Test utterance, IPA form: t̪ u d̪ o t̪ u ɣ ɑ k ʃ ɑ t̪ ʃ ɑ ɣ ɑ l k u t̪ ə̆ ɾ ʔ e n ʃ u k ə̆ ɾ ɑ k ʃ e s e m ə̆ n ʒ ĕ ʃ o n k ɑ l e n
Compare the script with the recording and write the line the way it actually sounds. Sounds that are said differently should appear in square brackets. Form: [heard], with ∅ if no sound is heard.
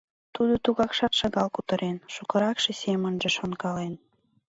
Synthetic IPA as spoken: t̪ u d̪ o t̪ u ɣ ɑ k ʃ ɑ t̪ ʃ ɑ ɣ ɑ l k u t̪ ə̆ ɾ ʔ e n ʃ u k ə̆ ɾ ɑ k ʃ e s e m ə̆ n ʒ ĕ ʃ o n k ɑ l e n